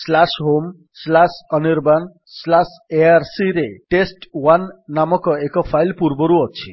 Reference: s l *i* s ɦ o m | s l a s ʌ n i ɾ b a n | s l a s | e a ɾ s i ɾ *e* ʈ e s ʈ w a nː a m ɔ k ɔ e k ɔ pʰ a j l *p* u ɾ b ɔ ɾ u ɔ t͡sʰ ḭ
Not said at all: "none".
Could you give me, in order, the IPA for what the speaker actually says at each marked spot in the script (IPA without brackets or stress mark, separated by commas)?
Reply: a, e, p